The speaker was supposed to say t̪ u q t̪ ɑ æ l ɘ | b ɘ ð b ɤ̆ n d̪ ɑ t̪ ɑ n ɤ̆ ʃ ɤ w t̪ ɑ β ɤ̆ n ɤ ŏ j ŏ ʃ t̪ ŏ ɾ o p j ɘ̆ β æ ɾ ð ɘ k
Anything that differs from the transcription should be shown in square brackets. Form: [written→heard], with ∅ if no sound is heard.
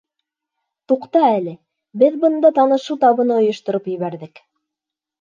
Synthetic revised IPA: t̪ u q t̪ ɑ æ l ɘ | b ɘ ð b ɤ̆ n d̪ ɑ t̪ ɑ n ɤ̆ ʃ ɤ w t̪ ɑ β ɤ̆ n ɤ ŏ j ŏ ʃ t̪ ŏ ɾ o p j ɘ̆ β æ ɾ ð ɘ k